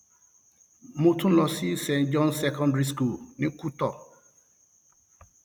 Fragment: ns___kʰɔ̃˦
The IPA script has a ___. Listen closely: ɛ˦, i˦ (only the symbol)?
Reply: ɛ˦